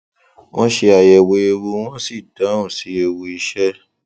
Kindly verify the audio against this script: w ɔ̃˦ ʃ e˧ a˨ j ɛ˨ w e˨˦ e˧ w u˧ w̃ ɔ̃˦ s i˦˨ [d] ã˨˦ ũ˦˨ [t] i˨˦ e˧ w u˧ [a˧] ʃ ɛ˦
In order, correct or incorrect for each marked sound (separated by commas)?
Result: correct, incorrect, incorrect